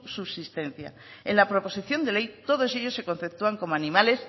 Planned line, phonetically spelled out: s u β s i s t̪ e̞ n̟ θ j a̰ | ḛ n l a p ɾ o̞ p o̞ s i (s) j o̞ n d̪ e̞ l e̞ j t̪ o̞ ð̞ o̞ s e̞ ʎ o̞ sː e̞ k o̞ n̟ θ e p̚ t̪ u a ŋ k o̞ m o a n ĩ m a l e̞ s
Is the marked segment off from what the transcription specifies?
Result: yes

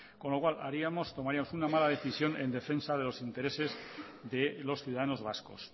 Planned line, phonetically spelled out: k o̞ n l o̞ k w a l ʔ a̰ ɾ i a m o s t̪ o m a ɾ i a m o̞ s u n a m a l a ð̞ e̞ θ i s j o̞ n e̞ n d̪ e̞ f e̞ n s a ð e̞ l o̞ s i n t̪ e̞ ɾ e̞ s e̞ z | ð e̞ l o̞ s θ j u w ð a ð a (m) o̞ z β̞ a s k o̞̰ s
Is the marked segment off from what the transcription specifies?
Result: yes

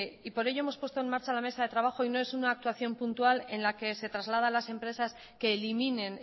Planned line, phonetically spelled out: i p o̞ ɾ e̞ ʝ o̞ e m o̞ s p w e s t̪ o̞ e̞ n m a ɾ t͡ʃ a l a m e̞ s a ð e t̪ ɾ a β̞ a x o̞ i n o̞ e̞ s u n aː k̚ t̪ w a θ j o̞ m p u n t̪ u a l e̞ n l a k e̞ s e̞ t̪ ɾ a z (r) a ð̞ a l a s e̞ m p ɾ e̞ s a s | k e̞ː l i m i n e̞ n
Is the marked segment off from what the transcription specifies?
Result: yes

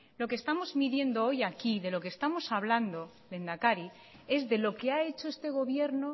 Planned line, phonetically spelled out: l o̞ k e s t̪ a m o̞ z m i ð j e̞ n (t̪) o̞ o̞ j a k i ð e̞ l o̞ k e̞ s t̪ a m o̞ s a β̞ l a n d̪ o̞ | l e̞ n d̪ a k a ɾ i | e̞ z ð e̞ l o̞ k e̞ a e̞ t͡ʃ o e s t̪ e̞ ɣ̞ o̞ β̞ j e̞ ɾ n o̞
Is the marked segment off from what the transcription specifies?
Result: yes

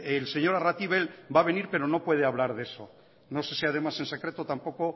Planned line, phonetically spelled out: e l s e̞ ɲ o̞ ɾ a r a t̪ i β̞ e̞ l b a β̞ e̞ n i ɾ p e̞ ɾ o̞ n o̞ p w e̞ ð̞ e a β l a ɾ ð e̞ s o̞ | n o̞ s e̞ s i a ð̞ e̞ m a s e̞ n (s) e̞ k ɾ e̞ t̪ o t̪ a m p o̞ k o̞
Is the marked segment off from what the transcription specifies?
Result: no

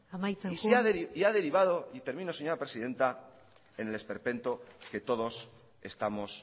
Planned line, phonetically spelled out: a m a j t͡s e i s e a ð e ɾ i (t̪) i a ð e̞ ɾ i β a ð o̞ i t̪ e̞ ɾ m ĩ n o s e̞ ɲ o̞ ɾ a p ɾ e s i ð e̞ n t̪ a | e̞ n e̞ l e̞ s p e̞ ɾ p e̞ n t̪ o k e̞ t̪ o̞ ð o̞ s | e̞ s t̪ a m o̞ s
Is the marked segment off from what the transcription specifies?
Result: yes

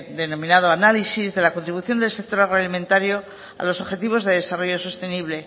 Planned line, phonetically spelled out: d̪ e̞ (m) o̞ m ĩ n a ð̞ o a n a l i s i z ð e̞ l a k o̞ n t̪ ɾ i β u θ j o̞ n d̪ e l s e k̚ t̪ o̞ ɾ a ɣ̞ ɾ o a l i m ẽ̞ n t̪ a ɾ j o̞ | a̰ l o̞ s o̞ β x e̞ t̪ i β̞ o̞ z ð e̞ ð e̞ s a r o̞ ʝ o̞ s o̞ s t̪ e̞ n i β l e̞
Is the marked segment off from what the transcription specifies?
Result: yes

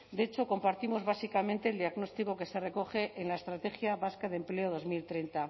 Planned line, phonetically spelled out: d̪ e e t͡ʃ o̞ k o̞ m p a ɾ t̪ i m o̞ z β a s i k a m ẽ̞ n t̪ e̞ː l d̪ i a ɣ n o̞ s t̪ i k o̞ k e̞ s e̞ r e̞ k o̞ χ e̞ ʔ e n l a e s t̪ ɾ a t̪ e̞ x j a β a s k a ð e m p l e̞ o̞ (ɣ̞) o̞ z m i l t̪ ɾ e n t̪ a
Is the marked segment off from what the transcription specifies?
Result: yes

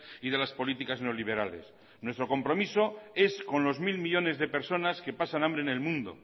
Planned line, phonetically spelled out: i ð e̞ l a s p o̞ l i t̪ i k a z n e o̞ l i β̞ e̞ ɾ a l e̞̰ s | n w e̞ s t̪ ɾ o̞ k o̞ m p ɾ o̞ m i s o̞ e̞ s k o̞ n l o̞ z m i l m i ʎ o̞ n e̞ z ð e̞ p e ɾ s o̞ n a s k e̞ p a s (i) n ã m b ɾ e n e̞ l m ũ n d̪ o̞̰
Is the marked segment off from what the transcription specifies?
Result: yes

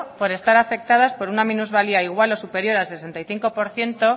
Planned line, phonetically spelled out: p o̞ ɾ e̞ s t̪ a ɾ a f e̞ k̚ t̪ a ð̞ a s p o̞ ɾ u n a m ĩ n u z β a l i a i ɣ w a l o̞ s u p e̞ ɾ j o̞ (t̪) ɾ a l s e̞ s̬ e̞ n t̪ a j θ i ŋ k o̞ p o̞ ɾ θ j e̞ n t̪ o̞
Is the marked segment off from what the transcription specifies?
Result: yes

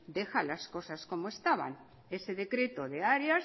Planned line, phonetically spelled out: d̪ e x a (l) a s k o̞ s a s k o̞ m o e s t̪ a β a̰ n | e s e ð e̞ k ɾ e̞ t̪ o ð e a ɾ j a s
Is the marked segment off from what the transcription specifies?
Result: no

